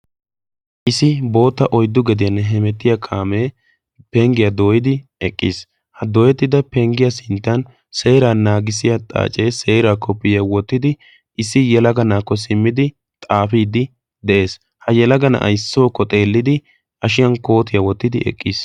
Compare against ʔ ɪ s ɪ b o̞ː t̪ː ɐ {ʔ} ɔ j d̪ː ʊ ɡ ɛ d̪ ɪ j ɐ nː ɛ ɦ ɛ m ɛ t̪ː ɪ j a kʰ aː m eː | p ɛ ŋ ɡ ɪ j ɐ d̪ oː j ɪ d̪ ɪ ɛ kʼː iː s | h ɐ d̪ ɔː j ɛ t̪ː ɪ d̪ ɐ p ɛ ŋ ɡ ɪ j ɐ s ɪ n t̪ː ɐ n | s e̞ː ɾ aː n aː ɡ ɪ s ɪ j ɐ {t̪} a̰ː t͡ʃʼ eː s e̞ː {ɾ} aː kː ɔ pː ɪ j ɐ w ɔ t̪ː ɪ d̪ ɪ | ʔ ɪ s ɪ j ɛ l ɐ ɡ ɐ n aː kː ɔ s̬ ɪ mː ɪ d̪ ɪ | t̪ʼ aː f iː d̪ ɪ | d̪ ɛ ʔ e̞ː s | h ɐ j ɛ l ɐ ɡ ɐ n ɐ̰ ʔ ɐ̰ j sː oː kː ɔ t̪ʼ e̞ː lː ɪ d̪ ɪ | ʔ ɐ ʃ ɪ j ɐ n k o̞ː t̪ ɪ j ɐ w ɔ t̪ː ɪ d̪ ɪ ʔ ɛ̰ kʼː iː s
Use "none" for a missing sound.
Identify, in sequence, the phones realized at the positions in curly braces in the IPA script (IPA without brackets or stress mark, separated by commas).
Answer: ʔ, t̪ʼ, ɾ